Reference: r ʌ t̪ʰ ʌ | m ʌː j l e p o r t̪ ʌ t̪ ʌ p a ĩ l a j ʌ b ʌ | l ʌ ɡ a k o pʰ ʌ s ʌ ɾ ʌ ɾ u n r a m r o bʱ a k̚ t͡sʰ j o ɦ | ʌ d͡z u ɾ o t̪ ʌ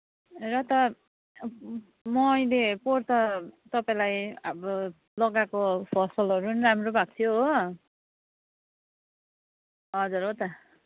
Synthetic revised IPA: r ʌ t̪ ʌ | m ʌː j l e p o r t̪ ʌ t̪ ʌ p a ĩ l a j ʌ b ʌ | l ʌ ɡ a k o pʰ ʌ s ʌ l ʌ ɾ u n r a m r o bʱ a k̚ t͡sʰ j o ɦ | ʌ d͡z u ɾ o t̪ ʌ